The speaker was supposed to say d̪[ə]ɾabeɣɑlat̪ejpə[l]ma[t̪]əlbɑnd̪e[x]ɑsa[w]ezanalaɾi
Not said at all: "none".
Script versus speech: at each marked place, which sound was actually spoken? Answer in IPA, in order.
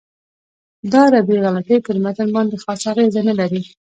ɑ, ɾ, t̪, x, ɣ

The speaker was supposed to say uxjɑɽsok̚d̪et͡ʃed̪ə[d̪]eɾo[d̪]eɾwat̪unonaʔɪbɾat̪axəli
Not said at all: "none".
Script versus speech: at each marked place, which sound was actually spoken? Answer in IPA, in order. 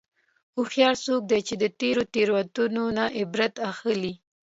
t̪, t̪

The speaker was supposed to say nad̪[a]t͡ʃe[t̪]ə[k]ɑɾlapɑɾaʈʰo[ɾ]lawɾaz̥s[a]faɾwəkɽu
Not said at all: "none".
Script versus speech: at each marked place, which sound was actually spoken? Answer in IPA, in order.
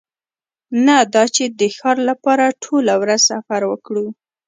ɑ, d̪, x, none, a

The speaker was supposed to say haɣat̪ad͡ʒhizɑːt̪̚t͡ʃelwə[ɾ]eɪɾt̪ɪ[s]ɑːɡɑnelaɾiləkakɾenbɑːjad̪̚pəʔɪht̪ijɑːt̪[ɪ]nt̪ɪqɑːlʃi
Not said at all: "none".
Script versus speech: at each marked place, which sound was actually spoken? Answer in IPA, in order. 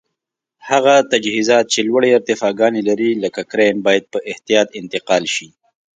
ɽ, f, ɪ

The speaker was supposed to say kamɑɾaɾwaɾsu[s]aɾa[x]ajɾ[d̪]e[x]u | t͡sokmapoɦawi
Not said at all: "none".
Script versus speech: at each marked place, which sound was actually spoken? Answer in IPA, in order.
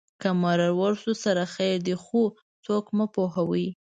s, x, d̪, x

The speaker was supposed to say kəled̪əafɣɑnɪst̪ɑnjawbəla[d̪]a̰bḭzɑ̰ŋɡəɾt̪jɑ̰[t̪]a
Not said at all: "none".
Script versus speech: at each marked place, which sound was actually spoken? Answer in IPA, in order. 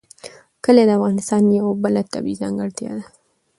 t̪, d̪

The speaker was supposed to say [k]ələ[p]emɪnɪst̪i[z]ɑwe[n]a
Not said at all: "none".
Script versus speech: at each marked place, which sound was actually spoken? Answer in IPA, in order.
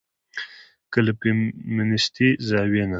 k, p, z, n

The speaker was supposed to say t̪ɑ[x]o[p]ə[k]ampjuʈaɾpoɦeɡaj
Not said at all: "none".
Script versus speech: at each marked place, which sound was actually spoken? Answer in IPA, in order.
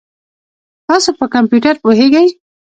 s, p, k

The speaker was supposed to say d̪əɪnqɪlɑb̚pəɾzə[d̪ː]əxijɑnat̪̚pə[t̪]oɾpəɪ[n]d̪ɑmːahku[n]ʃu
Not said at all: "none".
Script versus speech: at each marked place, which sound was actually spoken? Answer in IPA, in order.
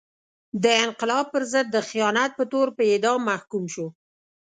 d̪ː, t̪, none, m

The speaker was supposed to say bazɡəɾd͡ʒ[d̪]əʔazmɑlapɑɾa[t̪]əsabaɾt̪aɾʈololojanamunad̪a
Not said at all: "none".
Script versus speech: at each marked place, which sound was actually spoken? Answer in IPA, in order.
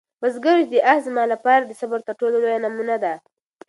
d̪, d̪

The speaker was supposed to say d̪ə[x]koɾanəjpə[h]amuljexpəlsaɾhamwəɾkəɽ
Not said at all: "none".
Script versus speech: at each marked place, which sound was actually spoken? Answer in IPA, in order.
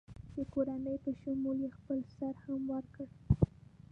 none, ʃ

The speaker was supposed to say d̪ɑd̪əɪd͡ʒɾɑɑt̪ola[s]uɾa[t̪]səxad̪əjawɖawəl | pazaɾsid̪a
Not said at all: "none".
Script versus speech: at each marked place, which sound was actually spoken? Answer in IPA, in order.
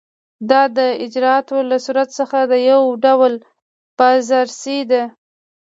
s, t̪

